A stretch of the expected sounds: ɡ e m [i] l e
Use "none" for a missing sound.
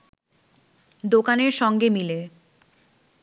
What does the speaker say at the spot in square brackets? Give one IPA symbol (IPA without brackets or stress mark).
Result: i